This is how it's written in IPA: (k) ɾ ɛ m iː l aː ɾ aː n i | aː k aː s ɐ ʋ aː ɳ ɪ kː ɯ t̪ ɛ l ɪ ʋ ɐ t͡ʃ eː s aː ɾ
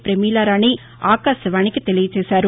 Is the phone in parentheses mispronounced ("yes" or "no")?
yes